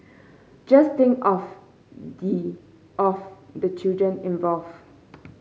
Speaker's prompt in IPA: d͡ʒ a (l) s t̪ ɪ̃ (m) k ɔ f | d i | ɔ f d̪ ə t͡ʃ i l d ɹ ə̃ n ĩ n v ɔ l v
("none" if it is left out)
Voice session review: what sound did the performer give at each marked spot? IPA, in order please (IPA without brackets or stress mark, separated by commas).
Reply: none, ŋ